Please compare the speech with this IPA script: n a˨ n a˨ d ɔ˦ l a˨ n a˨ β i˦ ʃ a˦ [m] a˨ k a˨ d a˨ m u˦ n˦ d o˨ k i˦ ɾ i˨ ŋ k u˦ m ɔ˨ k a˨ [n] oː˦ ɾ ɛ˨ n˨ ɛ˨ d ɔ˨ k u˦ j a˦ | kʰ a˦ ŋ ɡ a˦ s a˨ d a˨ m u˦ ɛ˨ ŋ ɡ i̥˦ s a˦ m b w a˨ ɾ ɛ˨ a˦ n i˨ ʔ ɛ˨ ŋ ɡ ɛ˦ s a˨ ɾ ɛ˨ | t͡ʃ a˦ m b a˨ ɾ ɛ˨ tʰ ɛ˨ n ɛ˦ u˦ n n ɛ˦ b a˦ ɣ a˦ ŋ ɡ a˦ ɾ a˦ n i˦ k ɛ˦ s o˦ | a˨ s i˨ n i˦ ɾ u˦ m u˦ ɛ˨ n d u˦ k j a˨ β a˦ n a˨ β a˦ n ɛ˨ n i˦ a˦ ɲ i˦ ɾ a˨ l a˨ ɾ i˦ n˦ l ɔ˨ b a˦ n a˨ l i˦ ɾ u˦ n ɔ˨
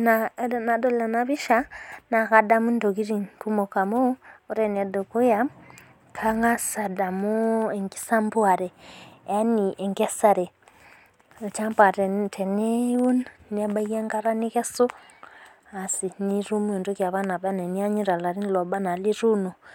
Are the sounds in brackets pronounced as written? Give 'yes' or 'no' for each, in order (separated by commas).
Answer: no, no